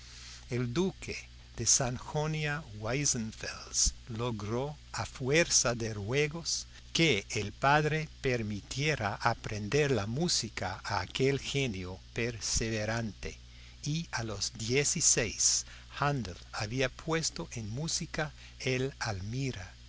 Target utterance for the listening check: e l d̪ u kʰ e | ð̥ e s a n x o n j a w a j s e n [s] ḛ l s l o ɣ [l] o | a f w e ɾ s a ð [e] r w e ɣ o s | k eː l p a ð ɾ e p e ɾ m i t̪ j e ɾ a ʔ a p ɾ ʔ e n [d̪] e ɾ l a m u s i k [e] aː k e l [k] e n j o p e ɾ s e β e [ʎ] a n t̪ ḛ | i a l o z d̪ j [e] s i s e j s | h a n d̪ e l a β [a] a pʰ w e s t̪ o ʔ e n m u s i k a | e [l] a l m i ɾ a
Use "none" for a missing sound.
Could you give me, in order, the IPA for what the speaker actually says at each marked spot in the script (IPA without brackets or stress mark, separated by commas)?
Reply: f, ɾ, e, d̪, a, x, ɾ, e, i, l